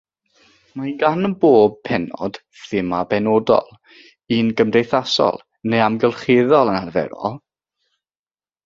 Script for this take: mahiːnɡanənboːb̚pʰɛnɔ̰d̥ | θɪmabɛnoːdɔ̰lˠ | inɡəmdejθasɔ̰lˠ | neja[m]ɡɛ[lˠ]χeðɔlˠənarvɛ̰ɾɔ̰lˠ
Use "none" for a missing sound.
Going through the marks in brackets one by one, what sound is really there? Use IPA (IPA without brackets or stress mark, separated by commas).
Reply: m, lˠ